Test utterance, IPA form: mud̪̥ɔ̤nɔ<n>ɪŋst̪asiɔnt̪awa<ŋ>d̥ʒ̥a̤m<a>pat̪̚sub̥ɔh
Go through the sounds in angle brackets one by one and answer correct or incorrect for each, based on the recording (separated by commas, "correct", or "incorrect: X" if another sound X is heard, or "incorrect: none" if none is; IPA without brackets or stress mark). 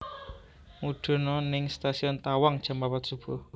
correct, correct, correct